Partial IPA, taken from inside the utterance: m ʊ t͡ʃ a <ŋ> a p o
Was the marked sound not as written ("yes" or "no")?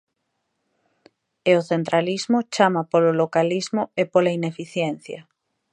yes